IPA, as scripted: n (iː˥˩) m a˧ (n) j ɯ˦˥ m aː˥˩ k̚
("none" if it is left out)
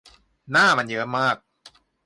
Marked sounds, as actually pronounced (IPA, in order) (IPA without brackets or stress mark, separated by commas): aː˥˩, n